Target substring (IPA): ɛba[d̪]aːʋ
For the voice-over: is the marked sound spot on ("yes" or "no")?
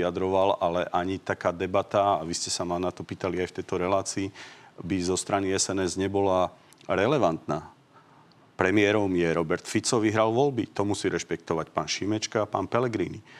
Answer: no